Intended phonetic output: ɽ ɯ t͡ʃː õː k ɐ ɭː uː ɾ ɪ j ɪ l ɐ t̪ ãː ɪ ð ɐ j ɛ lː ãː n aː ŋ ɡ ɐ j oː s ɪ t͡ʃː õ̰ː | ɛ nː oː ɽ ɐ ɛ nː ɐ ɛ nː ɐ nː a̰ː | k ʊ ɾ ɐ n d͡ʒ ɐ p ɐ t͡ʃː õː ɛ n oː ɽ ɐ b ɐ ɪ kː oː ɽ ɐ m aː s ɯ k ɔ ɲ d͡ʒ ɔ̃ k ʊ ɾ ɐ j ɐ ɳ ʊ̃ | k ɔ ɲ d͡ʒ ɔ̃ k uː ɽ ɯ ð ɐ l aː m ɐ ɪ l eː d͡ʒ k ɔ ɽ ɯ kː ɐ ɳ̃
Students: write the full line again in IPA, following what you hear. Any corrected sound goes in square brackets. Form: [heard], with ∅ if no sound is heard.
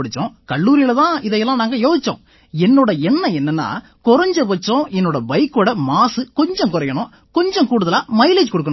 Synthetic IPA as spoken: ɽ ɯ t͡ʃː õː k ɐ ɭː uː ɾ ɪ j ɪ l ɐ t̪ ãː ɪ ð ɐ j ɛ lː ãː n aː ŋ ɡ ɐ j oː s ɪ t͡ʃː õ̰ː | ɛ nː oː ɽ ɐ ɛ nː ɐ ɛ nː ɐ nː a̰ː | k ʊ ɾ ɐ [ɲ] d͡ʒ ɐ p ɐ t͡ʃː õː ɛ [nː] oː ɽ ɐ b ɐ ɪ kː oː ɽ ɐ m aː s ɯ k ɔ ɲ d͡ʒ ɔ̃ k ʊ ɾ ɐ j ɐ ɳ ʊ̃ | k ɔ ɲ d͡ʒ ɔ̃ k uː ɽ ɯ ð ɐ l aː m ɐ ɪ l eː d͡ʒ k ɔ ɽ ɯ kː ɐ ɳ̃